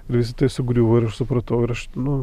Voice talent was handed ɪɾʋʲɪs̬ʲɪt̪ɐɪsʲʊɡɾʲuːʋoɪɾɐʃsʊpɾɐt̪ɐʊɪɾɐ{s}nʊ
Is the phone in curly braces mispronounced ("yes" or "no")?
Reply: yes